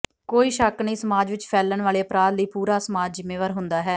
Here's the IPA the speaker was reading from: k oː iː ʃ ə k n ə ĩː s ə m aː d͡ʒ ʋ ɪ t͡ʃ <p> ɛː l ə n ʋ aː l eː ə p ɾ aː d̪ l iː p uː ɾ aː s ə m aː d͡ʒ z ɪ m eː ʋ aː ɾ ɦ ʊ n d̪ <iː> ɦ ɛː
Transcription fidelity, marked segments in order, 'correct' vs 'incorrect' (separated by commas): incorrect, incorrect